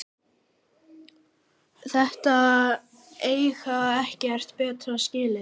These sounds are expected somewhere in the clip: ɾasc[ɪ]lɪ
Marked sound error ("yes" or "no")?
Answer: yes